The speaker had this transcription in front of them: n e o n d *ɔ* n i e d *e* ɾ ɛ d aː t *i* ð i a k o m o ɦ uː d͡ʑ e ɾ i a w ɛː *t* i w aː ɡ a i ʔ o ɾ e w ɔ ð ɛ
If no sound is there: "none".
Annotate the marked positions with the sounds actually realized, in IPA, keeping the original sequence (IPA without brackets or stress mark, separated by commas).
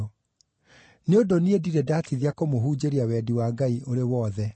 o, i, i, d